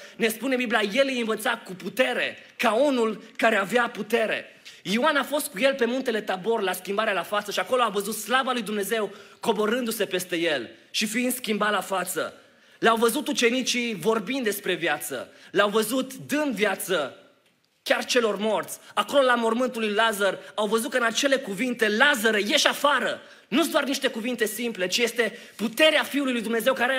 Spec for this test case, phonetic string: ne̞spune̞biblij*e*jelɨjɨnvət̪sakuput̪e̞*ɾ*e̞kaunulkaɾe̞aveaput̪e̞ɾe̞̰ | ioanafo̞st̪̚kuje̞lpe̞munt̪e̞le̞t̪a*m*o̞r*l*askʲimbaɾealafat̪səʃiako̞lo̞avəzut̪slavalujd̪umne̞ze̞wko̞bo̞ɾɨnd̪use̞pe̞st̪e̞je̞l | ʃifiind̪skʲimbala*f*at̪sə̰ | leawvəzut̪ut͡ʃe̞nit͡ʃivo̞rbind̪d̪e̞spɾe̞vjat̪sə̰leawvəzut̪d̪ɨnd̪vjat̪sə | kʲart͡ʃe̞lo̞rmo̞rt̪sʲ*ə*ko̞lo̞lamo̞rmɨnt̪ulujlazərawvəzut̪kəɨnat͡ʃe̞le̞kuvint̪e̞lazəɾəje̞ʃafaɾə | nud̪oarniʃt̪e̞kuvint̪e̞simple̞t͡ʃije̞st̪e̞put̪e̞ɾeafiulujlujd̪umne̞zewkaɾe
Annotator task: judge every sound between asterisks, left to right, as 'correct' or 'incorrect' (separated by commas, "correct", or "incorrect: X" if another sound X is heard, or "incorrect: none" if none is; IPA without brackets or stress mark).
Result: incorrect: a, correct, incorrect: b, correct, correct, incorrect: a